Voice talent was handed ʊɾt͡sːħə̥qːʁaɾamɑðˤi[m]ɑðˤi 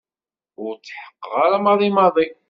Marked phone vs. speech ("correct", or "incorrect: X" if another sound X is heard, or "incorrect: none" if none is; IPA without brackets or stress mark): correct